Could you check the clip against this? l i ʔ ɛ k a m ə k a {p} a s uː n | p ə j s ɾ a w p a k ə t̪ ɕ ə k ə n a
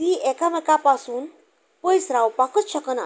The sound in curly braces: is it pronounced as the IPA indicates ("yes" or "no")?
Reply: yes